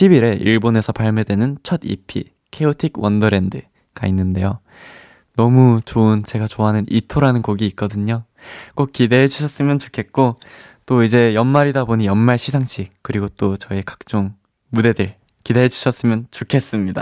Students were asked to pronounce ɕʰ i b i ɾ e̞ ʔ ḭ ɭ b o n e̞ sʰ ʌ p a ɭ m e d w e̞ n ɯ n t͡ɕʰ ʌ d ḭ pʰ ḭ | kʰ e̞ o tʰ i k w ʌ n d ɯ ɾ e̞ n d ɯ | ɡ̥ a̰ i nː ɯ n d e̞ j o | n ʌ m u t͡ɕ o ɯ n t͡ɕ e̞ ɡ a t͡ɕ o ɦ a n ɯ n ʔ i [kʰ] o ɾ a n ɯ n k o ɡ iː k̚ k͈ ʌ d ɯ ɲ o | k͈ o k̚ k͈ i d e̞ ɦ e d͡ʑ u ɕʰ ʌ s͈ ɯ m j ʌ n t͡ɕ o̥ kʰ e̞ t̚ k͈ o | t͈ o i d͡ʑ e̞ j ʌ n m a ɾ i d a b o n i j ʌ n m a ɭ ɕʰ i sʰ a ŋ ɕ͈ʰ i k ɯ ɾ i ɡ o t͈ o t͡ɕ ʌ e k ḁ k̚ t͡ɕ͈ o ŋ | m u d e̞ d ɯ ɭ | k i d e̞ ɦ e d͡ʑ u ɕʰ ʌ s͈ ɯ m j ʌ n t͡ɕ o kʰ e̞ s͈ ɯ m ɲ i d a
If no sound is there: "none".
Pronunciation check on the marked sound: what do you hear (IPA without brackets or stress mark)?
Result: tʰ